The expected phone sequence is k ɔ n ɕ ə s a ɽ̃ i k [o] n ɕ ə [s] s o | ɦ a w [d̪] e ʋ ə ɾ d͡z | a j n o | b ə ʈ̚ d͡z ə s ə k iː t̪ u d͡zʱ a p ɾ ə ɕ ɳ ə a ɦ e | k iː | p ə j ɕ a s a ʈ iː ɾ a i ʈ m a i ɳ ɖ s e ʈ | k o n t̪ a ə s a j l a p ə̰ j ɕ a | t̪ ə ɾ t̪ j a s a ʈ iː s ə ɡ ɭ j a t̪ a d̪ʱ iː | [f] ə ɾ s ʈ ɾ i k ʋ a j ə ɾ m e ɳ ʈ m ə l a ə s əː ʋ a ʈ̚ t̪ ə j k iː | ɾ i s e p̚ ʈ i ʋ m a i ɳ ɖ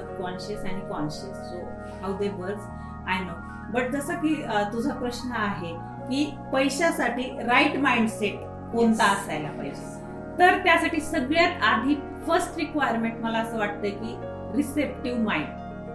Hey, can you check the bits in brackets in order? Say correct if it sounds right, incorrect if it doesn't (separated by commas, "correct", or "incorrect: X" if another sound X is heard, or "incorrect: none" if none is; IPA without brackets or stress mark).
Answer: incorrect: ɔ, correct, correct, correct